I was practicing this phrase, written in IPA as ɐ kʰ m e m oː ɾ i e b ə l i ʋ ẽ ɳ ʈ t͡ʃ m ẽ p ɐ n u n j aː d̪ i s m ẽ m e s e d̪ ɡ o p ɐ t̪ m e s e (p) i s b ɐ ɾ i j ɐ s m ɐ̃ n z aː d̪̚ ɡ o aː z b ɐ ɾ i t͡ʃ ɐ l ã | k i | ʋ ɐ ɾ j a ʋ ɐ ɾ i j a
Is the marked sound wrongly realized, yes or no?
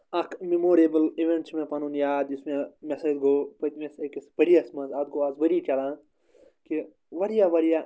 yes